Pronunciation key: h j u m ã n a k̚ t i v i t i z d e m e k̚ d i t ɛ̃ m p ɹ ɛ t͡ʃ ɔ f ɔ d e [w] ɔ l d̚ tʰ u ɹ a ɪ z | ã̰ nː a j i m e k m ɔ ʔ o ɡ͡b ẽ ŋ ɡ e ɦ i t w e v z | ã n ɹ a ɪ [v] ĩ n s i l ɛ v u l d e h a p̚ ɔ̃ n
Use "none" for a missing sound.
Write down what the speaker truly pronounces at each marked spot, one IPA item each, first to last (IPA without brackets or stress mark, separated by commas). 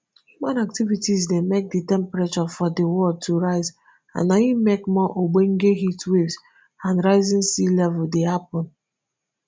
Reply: w, z